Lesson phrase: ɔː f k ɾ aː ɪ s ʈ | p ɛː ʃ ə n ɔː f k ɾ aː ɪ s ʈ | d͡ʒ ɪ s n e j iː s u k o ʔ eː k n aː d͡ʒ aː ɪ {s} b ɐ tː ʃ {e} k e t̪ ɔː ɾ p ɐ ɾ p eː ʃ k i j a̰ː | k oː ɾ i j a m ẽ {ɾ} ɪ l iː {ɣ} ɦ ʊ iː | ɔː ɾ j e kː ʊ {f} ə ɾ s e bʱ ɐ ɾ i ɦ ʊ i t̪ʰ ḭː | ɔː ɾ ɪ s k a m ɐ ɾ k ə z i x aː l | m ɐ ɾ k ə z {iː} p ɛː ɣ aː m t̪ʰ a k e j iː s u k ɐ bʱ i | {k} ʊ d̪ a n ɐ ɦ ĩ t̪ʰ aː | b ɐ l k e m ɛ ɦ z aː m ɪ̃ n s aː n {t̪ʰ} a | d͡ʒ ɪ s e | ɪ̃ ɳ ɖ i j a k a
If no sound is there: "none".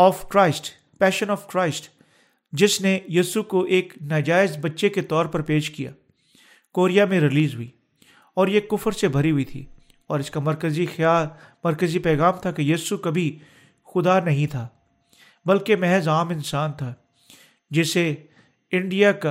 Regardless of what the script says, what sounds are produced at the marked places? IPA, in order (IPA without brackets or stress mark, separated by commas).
z, e, ɾ, z, f, i, x, t̪ʰ